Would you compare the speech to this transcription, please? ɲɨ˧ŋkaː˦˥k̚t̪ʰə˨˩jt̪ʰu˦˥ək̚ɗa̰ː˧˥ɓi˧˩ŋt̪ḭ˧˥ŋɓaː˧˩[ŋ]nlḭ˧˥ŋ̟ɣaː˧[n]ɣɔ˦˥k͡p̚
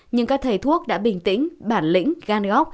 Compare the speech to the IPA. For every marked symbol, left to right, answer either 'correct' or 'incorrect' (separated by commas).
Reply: incorrect, correct